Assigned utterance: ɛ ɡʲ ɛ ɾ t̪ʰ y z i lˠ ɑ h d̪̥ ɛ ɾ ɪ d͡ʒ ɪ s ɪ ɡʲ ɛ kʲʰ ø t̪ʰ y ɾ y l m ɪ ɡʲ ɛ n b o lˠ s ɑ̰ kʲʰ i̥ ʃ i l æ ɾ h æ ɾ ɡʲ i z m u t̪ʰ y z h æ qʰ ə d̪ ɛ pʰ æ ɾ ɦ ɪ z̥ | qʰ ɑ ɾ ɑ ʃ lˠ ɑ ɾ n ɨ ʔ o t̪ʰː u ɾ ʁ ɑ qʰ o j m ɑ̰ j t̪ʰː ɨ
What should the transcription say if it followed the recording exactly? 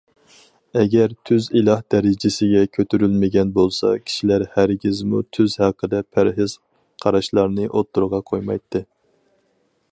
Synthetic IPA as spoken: ɛ ɡʲ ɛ ɾ t̪ʰ y z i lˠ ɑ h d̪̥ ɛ ɾ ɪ d͡ʒ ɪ s ɪ ɡʲ ɛ kʲʰ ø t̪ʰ y ɾ y l m ɪ ɡʲ ɛ n b o lˠ s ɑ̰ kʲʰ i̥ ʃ i l æ ɾ h æ ɾ ɡʲ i z m u t̪ʰ y z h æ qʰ ə d̪ ɛ pʰ æ ɾ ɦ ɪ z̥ | qʰ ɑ ɾ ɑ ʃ lˠ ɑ ɾ n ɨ ʔ o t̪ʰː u ɾ ʁ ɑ qʰ o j m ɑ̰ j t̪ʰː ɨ